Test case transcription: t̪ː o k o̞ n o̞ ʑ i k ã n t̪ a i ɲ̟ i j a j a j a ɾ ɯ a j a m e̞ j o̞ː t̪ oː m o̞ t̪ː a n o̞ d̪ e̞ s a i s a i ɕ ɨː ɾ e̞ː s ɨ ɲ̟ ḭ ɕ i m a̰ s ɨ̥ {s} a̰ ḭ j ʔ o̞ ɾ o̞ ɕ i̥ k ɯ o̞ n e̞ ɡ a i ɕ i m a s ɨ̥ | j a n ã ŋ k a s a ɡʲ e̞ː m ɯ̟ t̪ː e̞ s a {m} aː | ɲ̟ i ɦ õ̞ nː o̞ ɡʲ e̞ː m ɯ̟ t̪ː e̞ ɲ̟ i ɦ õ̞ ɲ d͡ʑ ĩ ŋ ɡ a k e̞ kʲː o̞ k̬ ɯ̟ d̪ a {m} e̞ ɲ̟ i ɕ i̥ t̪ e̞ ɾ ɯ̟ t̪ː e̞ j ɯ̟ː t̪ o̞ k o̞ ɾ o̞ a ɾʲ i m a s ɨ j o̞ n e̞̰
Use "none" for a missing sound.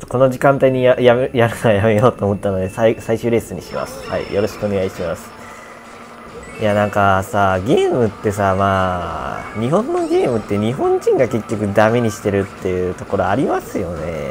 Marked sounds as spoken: h, m, m

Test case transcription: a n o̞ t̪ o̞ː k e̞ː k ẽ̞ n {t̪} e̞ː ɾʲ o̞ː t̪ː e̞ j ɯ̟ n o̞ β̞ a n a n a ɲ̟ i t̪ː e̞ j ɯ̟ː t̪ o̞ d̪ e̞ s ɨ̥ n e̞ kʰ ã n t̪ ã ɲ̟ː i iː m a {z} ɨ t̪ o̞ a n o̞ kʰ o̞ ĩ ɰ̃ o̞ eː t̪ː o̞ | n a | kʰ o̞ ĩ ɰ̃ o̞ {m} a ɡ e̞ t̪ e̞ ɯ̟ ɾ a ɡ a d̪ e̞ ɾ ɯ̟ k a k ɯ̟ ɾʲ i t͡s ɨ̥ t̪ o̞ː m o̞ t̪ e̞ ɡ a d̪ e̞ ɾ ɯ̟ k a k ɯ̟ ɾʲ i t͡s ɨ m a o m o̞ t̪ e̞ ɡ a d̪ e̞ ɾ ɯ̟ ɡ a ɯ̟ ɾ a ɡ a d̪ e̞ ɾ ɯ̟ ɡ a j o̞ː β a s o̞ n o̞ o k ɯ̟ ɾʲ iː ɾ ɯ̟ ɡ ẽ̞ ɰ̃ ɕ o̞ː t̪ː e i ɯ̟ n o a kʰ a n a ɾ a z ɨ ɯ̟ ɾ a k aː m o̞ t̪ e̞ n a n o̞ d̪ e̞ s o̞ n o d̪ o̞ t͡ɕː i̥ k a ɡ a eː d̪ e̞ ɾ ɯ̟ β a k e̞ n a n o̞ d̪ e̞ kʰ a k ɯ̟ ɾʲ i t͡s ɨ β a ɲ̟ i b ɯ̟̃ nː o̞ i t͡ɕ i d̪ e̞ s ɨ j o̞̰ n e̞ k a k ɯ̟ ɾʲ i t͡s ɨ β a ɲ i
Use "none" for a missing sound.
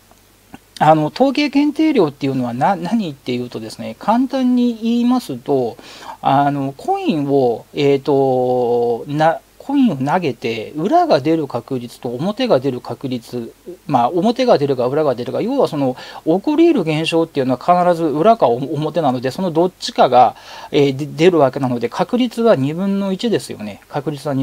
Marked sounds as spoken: t̪, s, n

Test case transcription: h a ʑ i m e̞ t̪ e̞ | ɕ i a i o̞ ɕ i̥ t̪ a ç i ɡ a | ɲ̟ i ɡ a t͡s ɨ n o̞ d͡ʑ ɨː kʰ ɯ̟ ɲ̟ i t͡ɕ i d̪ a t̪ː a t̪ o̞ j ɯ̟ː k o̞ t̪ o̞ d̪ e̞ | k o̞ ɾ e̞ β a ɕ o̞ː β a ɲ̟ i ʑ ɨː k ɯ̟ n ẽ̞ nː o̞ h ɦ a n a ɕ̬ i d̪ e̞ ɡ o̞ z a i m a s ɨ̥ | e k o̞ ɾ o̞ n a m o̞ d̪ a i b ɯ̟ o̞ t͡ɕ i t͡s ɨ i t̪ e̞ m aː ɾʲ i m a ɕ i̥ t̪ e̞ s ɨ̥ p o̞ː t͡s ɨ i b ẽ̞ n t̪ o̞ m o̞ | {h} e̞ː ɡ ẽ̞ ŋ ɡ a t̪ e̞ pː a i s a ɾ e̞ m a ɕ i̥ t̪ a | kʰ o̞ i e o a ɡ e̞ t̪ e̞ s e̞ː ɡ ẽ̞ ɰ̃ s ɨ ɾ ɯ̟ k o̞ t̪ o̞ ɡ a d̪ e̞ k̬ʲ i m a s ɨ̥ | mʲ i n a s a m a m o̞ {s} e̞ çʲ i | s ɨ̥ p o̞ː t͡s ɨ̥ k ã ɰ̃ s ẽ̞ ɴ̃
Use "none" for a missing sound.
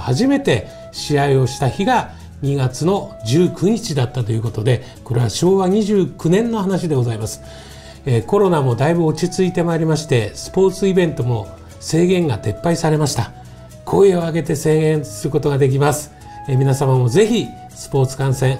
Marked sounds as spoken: s, z

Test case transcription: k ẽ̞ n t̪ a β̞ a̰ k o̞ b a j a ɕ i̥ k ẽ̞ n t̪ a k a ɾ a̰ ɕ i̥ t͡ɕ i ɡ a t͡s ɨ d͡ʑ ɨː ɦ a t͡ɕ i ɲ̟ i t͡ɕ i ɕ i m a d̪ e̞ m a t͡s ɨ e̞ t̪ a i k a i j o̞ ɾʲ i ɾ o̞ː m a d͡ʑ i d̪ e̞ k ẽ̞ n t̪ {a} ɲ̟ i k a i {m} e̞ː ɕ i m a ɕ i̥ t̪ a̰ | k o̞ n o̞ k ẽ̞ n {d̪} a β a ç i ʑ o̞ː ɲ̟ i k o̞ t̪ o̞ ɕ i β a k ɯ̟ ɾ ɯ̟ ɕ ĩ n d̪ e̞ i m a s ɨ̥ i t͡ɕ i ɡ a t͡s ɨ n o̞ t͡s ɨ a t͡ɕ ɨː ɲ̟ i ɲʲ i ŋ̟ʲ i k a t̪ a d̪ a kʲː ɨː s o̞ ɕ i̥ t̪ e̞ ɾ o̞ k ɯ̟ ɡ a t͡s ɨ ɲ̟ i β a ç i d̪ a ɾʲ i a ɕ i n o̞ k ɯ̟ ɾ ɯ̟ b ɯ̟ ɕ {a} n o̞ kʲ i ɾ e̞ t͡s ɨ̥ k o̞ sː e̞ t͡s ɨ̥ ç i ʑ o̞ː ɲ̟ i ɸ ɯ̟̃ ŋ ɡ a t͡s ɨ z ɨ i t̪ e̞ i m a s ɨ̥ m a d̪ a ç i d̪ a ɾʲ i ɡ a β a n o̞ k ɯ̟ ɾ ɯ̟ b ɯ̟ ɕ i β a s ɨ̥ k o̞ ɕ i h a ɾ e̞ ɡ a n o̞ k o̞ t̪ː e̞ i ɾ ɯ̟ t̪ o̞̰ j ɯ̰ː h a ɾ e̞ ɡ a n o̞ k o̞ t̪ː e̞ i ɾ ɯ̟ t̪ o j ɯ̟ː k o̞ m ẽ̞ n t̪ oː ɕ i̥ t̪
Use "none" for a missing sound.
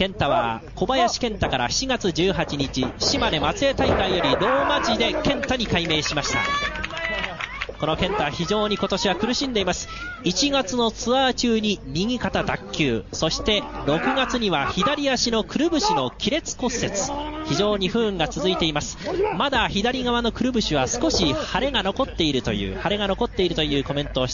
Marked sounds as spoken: a, m, t̪, i

